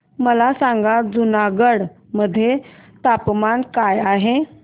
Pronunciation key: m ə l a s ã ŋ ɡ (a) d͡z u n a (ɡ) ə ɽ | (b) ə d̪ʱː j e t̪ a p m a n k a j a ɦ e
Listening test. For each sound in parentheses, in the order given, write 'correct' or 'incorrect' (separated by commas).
correct, correct, incorrect